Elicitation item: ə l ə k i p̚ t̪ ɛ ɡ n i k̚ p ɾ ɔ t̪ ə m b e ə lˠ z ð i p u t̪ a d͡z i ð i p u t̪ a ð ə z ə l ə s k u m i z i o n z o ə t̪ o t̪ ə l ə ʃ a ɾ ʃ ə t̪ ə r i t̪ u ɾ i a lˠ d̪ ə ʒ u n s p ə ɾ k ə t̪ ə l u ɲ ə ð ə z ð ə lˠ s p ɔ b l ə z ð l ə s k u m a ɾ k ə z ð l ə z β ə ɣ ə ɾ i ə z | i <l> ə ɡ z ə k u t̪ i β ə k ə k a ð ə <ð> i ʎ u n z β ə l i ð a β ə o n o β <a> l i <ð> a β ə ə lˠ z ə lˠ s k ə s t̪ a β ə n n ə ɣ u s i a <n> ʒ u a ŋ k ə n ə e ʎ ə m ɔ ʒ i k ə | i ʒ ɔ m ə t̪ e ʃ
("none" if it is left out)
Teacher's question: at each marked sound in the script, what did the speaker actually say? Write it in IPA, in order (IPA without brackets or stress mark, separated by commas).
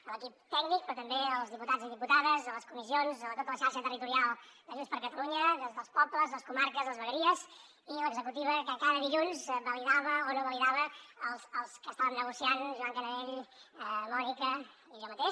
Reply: l, ð, ə, ð, n